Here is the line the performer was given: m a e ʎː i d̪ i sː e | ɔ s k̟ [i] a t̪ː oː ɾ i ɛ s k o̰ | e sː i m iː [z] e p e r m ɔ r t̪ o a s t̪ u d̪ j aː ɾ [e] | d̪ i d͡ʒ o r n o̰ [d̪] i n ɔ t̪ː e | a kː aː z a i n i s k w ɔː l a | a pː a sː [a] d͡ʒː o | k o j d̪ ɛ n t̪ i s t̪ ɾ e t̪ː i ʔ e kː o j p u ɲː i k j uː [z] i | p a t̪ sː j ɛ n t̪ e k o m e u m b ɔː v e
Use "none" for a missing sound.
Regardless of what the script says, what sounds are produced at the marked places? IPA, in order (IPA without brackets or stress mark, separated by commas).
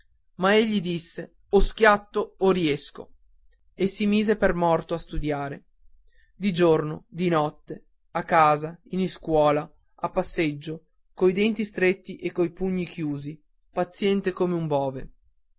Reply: j, z, e, d̪, e, z